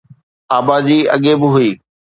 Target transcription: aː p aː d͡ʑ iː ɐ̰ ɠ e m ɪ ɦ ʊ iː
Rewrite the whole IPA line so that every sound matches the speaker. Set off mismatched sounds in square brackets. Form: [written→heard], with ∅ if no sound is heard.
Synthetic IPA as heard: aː [p→b] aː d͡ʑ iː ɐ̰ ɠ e [m→b] ɪ ɦ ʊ iː